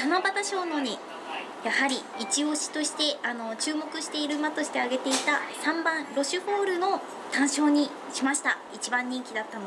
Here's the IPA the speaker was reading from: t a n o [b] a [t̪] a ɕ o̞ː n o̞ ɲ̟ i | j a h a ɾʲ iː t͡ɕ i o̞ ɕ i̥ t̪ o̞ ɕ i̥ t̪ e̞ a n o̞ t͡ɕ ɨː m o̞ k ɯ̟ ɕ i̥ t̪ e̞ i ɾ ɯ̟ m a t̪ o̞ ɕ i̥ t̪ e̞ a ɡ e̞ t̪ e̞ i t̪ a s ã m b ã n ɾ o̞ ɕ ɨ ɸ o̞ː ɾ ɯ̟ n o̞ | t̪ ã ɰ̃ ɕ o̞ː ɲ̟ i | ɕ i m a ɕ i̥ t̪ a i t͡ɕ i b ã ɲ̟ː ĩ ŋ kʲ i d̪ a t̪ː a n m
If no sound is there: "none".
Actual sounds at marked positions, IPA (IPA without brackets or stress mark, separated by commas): b, t̪